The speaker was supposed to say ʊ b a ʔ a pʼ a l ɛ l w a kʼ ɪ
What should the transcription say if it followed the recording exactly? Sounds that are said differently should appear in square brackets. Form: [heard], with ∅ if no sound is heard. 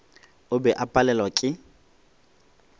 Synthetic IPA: ʊ b [ɛ] ʔ a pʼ a l ɛ l w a kʼ ɪ